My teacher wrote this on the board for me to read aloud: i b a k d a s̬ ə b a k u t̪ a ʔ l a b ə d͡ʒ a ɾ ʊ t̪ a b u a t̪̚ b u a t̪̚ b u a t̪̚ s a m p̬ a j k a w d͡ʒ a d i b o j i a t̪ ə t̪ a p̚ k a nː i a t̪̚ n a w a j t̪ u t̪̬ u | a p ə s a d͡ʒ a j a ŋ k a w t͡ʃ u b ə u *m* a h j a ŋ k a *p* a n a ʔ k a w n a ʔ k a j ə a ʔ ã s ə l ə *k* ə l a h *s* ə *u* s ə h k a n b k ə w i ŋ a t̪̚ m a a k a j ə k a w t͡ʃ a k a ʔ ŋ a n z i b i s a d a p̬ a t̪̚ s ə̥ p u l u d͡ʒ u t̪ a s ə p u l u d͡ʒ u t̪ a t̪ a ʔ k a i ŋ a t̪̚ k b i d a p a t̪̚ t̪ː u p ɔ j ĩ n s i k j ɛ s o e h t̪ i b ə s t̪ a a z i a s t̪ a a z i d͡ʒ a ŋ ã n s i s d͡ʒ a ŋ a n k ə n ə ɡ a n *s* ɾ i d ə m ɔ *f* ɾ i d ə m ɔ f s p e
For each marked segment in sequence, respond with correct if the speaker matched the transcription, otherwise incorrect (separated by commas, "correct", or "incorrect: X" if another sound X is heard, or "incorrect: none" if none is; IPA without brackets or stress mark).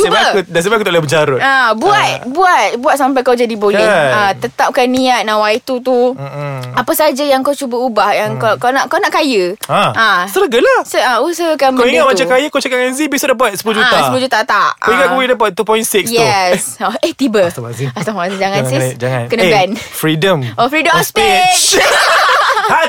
incorrect: b, incorrect: k, incorrect: ɡ, correct, correct, incorrect: f, correct